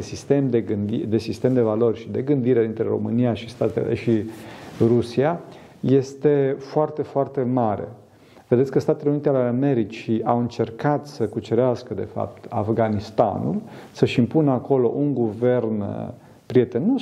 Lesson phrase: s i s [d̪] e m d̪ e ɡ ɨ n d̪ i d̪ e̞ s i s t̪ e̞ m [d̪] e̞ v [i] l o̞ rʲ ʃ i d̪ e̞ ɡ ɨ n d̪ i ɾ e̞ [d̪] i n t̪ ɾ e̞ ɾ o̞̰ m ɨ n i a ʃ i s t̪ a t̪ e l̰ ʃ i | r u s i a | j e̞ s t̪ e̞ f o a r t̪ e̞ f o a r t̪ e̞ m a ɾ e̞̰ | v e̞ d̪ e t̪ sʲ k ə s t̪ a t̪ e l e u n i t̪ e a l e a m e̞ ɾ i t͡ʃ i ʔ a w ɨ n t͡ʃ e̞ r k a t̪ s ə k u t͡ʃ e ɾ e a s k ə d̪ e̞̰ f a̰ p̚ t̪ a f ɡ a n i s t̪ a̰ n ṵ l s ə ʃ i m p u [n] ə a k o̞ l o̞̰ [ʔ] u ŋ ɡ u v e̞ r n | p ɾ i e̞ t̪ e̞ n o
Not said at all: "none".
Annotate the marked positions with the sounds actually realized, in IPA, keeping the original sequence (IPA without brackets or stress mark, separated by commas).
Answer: t̪, d̪, a, d̪, n, ʔ